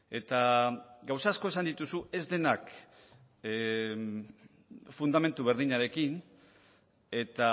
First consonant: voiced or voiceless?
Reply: voiceless